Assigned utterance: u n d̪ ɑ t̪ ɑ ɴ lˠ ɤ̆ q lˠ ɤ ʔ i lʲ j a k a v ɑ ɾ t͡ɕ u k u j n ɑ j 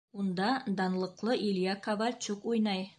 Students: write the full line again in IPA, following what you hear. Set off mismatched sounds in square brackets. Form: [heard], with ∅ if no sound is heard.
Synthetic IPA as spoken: u n d̪ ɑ [d̪] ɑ [n] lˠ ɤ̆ q lˠ ɤ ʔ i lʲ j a k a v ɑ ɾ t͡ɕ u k u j n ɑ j